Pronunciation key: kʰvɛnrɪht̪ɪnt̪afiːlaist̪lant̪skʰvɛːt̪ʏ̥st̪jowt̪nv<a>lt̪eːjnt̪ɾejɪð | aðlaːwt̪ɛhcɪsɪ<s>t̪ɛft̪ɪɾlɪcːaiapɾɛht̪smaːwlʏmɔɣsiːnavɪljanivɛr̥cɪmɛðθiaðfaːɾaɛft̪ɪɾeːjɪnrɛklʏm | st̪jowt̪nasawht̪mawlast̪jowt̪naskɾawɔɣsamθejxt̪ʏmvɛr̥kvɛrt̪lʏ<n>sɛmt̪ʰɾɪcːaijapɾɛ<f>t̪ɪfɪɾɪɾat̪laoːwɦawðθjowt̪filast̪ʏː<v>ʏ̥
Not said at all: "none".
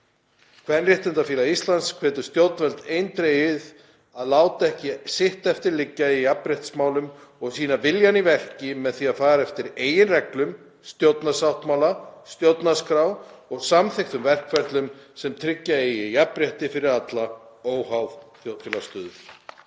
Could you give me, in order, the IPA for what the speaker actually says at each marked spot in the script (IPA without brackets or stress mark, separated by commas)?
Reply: ɛ, h, m, h, ð